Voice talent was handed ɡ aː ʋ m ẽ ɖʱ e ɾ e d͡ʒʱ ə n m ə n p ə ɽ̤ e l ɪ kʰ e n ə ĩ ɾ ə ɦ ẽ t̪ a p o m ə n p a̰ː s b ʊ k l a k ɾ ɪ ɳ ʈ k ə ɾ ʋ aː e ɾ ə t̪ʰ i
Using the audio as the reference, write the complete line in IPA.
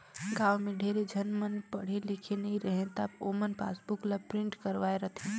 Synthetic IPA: ɡ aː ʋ m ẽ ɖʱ e ɾ e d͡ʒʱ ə n m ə n p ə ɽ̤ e l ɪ kʰ e n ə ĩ ɾ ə ɦ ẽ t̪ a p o m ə n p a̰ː s b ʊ k l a p ɾ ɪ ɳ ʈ k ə ɾ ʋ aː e ɾ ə t̪ʰ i